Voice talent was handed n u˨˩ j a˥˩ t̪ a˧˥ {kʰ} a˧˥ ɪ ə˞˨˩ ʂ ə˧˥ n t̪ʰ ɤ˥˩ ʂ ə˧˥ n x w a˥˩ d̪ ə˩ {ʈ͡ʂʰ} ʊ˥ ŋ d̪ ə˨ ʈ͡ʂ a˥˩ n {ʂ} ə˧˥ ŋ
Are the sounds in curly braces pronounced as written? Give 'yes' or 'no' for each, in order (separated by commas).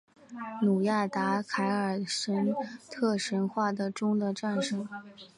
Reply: yes, no, yes